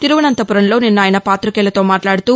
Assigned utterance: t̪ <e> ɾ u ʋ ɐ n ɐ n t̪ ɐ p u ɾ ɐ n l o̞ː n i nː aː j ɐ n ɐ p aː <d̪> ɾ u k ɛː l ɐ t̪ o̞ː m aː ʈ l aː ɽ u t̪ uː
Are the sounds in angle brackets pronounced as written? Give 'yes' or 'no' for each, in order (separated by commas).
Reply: no, no